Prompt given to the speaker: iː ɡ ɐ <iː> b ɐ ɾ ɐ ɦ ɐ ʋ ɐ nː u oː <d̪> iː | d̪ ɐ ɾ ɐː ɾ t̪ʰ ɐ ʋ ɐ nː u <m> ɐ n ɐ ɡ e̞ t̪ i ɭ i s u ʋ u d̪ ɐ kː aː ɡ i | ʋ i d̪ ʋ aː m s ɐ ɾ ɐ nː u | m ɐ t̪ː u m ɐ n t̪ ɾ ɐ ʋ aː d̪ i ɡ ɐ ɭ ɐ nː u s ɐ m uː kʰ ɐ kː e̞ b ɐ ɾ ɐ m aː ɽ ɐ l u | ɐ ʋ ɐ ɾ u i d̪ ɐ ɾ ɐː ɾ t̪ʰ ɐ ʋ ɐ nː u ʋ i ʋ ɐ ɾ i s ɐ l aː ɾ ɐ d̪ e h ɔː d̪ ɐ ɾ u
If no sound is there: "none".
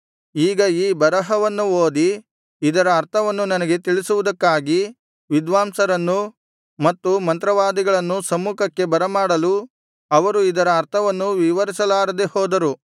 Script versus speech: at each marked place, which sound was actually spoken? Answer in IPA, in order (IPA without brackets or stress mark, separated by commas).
iː, d̪, n